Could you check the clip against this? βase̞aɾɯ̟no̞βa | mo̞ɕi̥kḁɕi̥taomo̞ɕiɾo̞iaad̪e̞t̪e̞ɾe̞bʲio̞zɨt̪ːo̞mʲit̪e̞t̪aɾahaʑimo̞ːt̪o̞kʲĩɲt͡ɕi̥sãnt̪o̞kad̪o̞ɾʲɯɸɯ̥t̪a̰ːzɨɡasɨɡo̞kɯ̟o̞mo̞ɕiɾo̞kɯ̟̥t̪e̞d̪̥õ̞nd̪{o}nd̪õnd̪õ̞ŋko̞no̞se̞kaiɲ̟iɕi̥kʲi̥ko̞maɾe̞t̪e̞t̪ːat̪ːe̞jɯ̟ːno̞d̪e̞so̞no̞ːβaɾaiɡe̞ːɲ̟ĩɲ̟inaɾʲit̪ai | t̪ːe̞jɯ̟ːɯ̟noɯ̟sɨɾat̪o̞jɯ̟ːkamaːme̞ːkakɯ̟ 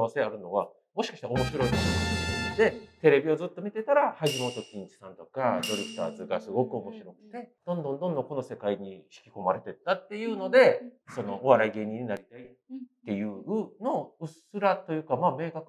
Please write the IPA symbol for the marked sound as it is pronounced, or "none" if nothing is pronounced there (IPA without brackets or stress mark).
õ